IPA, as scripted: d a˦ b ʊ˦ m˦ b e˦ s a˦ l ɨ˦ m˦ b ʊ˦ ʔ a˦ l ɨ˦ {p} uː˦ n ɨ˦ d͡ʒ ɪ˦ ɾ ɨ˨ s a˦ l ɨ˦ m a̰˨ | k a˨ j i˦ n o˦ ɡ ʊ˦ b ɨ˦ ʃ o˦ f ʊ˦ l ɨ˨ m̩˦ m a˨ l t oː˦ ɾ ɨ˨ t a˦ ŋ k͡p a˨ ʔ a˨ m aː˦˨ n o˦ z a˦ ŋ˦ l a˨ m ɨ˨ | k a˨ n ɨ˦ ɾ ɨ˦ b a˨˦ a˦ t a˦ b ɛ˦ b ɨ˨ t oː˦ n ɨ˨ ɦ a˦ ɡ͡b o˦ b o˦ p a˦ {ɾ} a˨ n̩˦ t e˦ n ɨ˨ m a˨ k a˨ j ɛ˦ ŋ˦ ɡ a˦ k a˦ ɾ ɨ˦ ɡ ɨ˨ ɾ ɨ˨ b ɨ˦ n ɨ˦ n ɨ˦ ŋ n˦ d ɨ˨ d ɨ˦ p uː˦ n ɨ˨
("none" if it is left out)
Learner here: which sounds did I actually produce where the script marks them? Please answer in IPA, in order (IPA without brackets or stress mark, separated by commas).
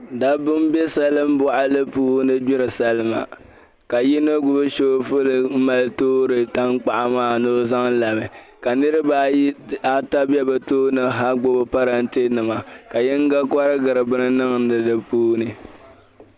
p, ɾ